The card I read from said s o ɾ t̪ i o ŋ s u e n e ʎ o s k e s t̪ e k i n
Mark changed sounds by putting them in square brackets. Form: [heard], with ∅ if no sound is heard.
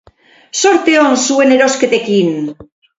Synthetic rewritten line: s o ɾ t̪ [e] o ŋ s u e n e [ɾ] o s k e [∅] t̪ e k i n